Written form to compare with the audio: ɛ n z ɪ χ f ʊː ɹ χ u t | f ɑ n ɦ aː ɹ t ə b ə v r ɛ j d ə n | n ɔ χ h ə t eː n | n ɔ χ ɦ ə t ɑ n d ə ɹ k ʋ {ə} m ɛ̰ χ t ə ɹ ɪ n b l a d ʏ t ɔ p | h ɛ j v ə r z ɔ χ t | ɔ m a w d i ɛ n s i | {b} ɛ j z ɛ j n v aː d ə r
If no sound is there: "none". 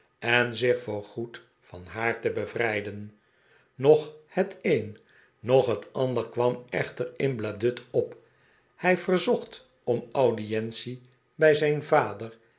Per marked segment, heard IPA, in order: ɑ, b

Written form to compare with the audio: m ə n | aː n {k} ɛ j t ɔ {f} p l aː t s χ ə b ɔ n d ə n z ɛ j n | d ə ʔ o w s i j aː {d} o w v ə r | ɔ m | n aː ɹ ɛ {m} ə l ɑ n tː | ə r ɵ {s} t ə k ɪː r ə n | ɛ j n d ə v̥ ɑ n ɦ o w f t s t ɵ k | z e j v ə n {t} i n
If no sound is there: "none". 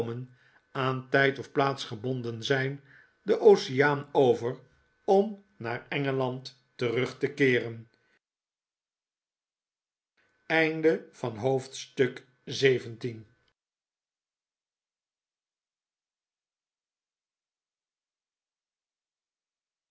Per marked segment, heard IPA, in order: t, f, n, ŋ, χ, t

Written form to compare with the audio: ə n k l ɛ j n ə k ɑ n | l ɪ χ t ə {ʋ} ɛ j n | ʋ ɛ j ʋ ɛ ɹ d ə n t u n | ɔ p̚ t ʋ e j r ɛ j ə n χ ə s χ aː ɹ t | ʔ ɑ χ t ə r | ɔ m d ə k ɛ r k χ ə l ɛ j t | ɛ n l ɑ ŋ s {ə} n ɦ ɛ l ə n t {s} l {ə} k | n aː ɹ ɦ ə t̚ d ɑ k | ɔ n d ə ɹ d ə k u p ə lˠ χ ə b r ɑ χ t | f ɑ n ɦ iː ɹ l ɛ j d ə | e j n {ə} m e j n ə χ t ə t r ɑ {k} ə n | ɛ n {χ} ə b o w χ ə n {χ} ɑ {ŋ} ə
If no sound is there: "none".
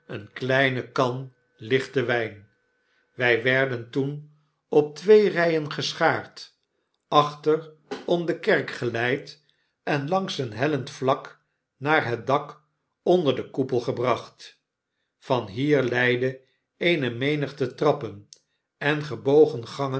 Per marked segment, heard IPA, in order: ʋ, ə, f, ɑ, ə, p, χ, χ, ŋ

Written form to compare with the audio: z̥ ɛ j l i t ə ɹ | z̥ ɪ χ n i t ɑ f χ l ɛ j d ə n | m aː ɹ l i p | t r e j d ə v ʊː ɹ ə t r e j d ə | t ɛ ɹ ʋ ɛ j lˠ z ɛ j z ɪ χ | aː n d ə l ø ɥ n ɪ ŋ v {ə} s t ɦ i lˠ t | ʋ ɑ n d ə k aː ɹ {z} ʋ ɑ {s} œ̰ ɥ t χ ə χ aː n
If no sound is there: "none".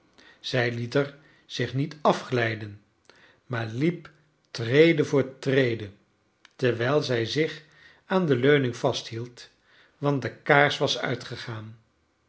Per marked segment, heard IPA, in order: ɑ, s, s

